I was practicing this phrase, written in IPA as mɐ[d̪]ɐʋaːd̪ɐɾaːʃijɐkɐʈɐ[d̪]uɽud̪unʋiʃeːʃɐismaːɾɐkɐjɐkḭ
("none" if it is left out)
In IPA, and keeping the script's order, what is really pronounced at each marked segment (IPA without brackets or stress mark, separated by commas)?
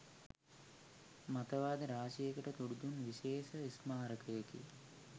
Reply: t̪, t̪